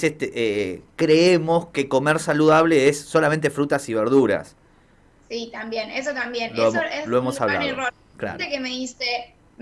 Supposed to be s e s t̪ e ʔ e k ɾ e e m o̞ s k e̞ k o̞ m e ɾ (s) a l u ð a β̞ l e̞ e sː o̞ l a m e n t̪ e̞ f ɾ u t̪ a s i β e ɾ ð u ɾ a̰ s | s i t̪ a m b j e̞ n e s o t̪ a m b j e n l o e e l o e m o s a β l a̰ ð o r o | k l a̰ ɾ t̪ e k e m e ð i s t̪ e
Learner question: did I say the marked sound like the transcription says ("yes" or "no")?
yes